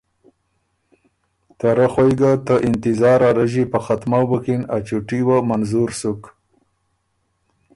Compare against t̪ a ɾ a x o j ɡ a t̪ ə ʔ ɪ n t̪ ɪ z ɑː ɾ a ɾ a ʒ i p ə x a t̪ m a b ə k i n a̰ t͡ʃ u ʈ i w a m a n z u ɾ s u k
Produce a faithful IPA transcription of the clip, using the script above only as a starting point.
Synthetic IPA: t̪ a ɾ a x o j ɡ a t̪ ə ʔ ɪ n t̪ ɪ z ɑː ɾ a ɾ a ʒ i p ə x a t̪ m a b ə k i n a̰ t͡ʃ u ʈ i w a m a n z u ɾ s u k